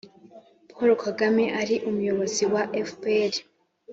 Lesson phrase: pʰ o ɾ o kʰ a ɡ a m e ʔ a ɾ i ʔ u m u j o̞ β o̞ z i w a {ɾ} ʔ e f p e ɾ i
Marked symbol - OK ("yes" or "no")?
no